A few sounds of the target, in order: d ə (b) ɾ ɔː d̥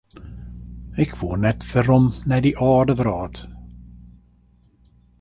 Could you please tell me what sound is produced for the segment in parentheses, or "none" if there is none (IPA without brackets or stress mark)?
v